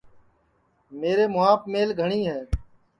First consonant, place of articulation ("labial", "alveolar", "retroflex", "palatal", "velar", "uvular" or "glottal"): labial